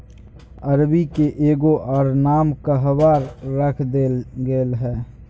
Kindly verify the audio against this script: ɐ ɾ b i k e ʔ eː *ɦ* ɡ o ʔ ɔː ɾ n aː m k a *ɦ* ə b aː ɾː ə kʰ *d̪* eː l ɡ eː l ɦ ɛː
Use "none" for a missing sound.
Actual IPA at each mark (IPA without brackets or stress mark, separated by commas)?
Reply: none, ɦ, d̪